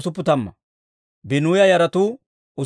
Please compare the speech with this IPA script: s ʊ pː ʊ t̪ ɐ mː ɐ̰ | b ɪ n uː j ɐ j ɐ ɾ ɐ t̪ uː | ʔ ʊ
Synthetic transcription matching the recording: s ʊ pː ʊ t̪ ɐ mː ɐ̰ | b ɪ n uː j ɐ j ɐ ɾ ɐ t̪ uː | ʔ ʊ